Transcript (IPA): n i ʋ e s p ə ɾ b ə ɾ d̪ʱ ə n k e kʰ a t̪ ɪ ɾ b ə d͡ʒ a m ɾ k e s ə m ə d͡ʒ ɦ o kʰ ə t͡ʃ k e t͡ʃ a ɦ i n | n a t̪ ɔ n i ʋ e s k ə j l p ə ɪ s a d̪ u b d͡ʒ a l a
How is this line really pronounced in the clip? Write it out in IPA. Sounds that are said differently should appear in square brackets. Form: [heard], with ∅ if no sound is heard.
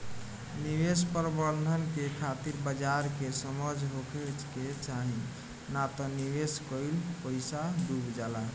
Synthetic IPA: n i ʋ e s p ə ɾ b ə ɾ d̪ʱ ə n k e kʰ a t̪ [i] ɾ b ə d͡ʒ a [∅] ɾ k e s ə m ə d͡ʒ ɦ o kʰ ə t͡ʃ k e t͡ʃ a ɦ i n | n a t̪ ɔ n i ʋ e s k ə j l p ə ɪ s a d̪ u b d͡ʒ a l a